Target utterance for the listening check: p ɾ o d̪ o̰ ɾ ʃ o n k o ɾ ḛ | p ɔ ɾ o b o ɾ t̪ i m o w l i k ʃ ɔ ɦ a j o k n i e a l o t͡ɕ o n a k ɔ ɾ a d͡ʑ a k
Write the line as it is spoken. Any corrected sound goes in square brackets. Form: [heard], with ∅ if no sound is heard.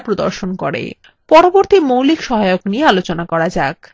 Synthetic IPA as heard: p ɾ o d̪ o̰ ɾ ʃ o n k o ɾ ḛ | p ɔ ɾ o b o ɾ t̪ i m o w l i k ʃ ɔ ɦ a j o k n i e a l o t͡ɕ o n a k ɔ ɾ a d͡ʑ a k